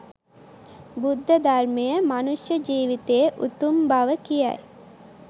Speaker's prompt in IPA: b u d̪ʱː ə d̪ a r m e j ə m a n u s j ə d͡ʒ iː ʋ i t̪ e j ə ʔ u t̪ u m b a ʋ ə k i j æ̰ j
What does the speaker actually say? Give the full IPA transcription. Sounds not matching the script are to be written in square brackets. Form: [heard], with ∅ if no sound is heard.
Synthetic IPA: b u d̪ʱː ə d̪ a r m e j ə m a n u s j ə d͡ʒ iː ʋ i t̪ e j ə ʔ u t̪ u m b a ʋ ə k i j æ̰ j